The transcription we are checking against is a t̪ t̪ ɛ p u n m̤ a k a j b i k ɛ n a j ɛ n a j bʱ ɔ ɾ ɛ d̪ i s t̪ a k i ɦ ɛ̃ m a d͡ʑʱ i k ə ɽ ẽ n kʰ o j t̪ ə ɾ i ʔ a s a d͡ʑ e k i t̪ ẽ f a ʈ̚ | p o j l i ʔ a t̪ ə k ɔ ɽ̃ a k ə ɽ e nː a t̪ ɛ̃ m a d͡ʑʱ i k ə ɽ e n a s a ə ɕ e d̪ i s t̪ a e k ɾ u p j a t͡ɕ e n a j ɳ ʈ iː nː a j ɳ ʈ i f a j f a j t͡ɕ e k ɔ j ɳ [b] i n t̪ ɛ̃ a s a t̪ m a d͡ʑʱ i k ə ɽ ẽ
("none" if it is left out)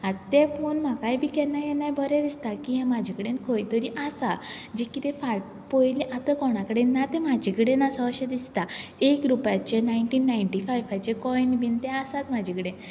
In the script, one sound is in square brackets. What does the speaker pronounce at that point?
b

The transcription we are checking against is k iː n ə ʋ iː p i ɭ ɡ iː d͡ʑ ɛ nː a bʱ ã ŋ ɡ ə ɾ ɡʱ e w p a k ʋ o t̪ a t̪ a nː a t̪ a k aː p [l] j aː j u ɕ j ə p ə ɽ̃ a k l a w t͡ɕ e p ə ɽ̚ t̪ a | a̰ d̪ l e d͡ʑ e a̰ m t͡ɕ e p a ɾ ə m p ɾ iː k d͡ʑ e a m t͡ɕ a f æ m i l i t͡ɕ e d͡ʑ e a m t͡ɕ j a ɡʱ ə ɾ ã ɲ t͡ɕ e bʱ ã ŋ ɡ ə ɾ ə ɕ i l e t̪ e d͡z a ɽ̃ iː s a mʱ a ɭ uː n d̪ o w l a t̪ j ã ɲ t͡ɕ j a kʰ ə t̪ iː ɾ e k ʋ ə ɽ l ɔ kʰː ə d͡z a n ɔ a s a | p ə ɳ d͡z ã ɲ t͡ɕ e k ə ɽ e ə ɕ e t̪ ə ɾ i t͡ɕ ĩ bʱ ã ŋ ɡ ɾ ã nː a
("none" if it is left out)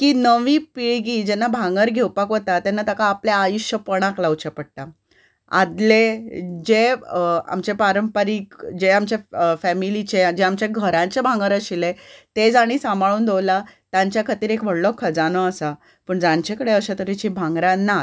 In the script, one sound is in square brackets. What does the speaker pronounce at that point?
l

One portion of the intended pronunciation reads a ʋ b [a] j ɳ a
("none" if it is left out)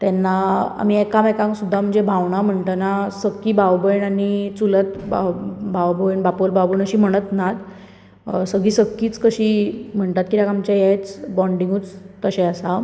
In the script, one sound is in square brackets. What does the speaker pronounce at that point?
ə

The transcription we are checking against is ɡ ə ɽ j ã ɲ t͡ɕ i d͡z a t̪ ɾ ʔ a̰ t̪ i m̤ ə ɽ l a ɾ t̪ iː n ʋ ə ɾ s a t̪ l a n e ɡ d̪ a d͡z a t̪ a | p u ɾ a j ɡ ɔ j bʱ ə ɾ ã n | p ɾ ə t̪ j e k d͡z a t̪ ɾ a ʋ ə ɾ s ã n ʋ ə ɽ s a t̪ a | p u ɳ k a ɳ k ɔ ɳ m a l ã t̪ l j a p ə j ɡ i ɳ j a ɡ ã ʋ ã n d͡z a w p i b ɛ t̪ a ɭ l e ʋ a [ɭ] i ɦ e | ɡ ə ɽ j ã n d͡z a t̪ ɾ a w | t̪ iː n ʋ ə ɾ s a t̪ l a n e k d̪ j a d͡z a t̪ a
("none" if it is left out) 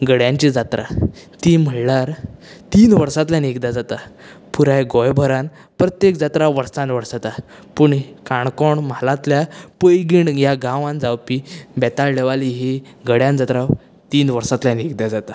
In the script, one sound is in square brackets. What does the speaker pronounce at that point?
l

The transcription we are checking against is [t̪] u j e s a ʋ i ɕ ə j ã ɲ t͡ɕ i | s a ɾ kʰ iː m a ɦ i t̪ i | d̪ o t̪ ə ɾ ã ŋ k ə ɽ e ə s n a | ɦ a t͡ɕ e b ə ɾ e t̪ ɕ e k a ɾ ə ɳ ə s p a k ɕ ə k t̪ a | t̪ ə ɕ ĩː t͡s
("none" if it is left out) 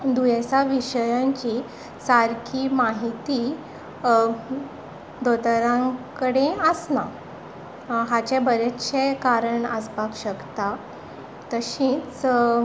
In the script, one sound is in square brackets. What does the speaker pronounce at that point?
d̪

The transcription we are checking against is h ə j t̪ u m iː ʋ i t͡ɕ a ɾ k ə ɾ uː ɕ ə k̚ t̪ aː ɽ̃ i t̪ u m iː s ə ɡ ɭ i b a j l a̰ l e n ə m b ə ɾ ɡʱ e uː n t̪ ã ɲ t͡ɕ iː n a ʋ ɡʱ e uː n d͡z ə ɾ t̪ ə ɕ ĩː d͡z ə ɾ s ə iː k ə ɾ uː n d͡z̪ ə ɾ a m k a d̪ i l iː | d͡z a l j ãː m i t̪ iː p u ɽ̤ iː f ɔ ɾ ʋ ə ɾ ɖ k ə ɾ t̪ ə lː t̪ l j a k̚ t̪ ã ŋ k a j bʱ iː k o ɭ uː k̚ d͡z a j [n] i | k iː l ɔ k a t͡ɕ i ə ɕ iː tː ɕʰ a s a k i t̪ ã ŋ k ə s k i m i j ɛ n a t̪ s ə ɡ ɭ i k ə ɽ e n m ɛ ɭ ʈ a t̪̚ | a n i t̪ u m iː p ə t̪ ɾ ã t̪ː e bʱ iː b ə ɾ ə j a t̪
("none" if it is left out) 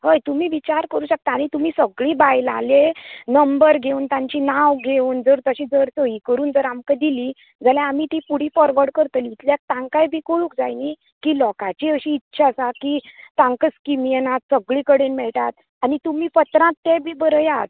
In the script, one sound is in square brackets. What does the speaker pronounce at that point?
n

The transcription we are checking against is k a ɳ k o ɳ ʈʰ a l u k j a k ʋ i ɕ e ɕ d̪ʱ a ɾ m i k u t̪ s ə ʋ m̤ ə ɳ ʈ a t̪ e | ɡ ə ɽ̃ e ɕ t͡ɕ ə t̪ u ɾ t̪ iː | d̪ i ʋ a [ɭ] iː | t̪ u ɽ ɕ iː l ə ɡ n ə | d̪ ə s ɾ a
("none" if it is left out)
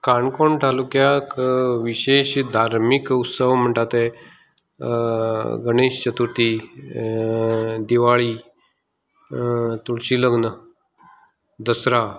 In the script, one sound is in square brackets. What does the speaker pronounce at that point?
ɭ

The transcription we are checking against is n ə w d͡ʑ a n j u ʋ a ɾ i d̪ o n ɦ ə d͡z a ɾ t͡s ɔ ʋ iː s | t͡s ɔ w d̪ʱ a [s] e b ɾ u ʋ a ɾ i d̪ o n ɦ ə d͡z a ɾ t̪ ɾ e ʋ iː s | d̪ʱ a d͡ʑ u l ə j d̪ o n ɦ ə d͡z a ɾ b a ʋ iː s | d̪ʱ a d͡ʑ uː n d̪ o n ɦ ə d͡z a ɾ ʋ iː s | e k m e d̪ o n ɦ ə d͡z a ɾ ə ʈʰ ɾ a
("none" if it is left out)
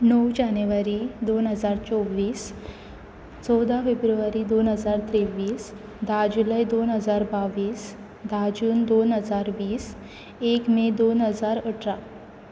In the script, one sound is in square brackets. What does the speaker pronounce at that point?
f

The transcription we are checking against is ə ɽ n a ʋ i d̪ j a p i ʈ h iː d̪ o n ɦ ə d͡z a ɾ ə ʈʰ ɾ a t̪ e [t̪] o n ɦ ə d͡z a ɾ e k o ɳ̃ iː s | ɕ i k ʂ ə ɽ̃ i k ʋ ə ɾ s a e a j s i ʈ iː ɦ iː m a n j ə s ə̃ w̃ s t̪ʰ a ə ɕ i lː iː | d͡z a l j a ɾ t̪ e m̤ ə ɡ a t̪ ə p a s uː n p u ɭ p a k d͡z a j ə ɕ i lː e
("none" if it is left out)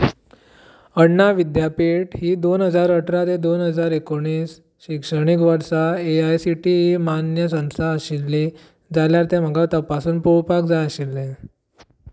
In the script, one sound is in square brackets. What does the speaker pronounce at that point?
d̪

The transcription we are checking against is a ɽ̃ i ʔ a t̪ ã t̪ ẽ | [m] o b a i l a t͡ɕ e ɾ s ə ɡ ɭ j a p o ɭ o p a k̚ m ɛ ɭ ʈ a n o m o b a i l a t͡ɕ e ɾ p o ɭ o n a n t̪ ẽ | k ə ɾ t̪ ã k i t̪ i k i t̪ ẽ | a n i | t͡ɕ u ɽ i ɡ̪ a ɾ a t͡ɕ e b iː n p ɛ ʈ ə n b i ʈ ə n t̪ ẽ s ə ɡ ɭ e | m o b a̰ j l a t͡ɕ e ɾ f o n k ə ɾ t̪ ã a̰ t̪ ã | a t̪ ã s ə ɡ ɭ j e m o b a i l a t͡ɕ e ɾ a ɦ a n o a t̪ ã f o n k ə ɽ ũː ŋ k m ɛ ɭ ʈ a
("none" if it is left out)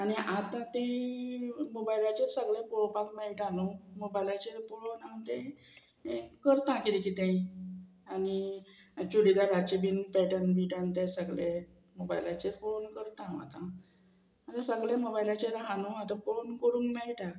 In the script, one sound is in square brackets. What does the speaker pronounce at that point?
m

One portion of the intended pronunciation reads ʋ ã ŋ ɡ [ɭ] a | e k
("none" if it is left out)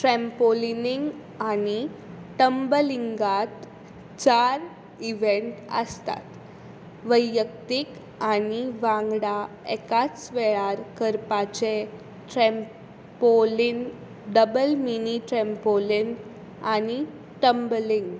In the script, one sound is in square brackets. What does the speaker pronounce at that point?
ɽ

